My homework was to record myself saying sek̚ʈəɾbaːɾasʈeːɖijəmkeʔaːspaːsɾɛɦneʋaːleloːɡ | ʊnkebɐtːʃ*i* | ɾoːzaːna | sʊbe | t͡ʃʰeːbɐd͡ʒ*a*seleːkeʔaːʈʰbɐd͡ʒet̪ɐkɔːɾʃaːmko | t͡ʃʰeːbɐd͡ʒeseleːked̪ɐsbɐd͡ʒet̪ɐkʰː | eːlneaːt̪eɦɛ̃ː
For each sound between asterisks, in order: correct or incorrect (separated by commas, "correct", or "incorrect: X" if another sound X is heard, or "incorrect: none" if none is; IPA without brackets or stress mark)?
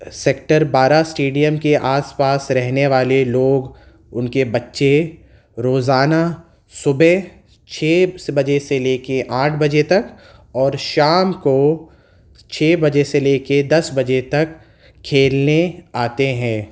incorrect: e, incorrect: e